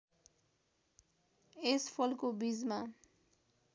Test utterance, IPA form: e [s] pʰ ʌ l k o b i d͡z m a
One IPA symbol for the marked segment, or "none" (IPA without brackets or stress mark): s